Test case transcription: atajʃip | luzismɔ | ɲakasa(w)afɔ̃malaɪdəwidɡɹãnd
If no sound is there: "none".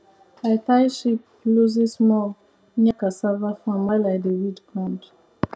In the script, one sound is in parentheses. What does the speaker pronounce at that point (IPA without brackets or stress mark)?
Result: v